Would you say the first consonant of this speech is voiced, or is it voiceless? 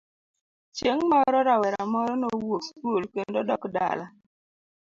voiceless